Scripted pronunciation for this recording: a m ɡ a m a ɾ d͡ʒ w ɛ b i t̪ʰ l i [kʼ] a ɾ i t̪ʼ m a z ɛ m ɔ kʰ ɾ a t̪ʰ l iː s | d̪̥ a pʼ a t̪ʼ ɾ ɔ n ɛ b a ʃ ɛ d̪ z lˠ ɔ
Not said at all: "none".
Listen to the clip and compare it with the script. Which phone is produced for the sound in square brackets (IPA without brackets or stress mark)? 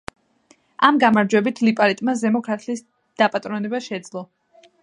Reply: pʼ